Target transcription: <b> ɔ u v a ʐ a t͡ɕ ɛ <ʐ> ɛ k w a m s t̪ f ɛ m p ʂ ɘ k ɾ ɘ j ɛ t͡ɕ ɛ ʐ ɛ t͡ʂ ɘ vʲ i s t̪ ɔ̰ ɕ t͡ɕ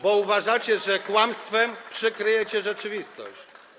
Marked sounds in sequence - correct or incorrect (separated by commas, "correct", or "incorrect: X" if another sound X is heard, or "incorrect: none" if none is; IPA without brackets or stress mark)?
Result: correct, correct